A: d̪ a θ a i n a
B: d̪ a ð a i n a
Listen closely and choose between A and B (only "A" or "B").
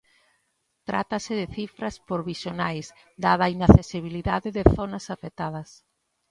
B